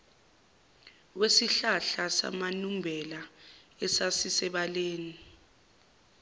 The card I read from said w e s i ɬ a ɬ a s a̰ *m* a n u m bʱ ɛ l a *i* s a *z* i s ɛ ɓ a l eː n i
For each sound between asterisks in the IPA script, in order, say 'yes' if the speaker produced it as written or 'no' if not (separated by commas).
yes, no, no